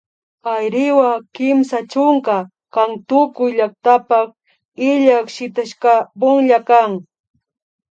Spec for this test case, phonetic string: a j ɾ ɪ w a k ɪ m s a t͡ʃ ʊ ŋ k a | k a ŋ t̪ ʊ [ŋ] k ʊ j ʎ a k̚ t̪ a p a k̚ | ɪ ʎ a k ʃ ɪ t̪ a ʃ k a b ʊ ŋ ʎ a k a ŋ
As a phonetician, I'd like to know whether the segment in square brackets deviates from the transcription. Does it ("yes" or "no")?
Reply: yes